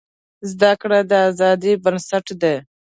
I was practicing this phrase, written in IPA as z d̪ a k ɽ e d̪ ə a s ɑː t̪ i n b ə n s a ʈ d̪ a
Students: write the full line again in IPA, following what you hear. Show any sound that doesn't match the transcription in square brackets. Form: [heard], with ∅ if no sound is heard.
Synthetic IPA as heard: z d̪ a k ɽ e d̪ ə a [z] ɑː [d̪] i [∅] b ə n s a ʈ d̪ [e]